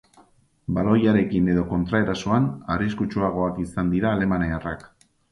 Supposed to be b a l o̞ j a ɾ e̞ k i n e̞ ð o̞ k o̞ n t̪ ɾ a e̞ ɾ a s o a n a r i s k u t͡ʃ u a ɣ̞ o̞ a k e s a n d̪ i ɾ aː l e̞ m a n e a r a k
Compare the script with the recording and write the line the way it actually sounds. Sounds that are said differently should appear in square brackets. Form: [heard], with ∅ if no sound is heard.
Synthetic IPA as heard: b a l o̞ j a ɾ e̞ k i n e̞ ð o̞ k o̞ n t̪ ɾ a e̞ ɾ a s o a n a r i s k u t͡ʃ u a ɣ̞ o̞ a k [i] s a n d̪ i ɾ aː l e̞ m a n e a r a k